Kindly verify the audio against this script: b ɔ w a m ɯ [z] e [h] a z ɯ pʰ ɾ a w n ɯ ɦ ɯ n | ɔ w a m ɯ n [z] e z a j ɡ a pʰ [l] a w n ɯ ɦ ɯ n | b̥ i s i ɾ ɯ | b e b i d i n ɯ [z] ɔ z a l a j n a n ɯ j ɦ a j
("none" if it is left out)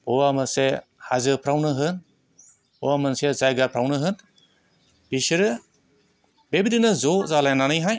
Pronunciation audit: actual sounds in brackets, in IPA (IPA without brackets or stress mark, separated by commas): s, h, s, ɾ, z